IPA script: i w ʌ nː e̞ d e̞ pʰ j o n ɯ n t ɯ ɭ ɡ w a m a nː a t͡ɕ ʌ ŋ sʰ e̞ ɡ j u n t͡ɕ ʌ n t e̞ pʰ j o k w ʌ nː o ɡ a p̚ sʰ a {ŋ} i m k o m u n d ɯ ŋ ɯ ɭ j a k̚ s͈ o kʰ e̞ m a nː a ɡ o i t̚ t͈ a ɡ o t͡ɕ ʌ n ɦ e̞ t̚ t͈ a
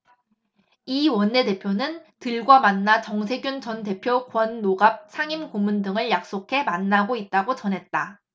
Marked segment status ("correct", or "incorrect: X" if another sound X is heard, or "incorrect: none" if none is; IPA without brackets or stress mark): correct